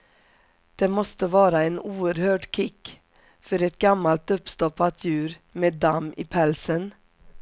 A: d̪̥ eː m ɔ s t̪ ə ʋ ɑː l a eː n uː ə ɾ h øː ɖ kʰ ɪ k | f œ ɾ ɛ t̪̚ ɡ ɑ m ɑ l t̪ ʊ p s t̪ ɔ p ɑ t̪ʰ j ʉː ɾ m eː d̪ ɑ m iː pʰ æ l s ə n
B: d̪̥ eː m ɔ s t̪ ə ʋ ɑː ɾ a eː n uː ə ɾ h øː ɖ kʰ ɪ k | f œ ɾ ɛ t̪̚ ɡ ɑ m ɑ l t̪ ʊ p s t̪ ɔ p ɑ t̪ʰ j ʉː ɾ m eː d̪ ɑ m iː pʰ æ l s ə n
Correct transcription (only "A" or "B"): B